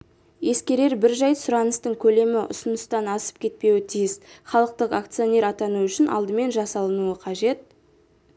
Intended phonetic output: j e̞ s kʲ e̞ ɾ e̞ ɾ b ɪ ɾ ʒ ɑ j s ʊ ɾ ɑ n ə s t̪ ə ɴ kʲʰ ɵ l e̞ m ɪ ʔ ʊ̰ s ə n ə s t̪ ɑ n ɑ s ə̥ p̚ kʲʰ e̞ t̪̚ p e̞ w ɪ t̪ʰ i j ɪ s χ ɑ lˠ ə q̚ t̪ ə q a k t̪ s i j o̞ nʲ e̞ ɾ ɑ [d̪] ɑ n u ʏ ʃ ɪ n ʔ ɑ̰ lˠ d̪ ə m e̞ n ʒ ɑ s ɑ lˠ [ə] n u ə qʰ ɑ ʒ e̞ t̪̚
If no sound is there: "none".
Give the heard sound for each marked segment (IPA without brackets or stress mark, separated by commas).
t̪, ə